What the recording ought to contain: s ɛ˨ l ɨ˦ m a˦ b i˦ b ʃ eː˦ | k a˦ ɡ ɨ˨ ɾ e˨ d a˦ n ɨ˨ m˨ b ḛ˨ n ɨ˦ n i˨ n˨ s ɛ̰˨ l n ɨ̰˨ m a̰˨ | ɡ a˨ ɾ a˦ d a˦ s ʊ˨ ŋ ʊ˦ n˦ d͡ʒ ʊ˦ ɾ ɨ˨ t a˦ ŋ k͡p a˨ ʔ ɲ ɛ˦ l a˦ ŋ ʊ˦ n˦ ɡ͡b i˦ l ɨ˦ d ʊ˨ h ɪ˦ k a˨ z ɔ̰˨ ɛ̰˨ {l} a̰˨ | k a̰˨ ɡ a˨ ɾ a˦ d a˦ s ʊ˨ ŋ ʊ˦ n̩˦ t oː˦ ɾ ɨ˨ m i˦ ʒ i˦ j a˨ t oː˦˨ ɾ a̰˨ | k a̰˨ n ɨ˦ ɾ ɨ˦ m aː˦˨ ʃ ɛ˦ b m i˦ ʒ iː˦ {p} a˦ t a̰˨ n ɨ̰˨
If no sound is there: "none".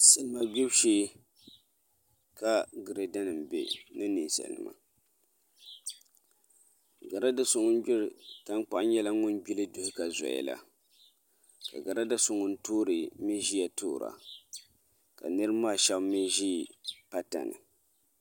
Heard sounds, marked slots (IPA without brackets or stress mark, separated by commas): l, p